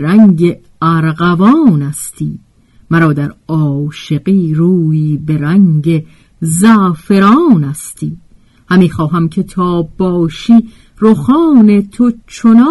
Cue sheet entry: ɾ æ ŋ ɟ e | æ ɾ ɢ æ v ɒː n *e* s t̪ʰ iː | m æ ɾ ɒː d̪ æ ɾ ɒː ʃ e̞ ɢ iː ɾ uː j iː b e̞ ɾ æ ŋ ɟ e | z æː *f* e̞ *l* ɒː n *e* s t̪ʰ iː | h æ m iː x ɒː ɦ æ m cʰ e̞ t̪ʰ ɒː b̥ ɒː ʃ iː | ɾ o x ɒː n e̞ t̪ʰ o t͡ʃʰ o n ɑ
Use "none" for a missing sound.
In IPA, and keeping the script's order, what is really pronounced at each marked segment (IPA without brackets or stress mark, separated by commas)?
æ, f, ɾ, æ